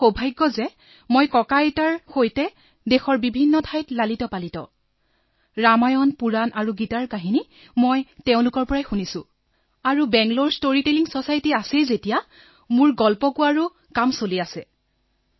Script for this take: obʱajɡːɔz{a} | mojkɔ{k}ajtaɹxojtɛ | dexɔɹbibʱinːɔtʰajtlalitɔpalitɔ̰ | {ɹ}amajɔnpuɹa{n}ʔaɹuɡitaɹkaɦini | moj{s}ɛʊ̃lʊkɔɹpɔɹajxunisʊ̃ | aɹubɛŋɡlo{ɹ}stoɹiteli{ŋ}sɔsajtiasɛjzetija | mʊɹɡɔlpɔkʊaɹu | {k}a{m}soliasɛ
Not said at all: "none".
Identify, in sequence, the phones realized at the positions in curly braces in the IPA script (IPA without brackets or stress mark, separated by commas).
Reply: ɛ, k, ɹ, n, t, ɹ, ŋ, k, m